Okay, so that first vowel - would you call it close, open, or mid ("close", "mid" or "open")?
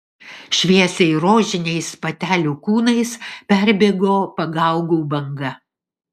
close